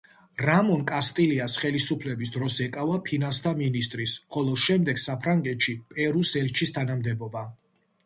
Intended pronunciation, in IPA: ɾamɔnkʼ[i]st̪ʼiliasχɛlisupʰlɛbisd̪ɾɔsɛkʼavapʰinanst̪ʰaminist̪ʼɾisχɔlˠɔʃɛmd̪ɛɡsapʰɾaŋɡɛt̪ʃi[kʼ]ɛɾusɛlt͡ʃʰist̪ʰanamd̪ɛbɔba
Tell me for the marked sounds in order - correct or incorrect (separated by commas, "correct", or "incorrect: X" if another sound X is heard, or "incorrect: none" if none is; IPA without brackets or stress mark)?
incorrect: a, incorrect: pʼ